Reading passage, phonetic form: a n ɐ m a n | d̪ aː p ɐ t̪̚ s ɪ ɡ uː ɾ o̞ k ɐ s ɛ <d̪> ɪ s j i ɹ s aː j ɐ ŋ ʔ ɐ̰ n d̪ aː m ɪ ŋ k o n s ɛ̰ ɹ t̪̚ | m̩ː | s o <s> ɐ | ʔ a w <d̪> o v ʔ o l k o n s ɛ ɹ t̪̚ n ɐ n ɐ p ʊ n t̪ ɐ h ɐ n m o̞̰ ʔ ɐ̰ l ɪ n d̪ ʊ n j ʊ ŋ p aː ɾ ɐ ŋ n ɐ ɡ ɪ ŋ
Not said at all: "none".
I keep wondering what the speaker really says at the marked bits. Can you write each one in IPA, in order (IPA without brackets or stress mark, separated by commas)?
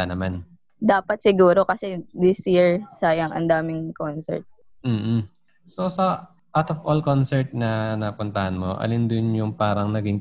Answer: d̪, s, t̪